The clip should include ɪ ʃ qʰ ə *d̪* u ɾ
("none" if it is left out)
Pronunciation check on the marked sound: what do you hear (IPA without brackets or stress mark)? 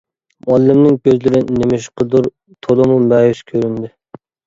d̪